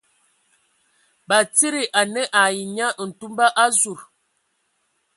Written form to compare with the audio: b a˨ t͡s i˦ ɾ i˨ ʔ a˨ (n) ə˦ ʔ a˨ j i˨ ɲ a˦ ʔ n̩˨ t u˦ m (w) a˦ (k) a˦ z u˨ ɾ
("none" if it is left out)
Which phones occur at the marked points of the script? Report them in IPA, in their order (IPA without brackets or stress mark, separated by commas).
n, b, ʔ